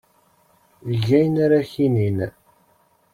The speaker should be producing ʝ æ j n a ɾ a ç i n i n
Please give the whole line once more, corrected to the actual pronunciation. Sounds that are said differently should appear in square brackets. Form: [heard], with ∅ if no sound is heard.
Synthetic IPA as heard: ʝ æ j n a ɾ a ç i n i n